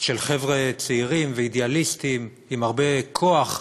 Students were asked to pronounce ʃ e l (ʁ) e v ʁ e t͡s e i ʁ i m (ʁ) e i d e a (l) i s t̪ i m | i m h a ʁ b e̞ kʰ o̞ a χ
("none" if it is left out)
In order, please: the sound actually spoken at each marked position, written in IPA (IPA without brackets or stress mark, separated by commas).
χ, v, l